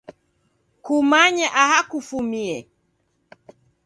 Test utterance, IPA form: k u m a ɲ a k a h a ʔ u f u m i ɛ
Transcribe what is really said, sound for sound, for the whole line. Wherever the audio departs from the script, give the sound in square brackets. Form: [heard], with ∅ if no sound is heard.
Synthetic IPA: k u m a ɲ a [ʔ] a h a [k] u f u m i ɛ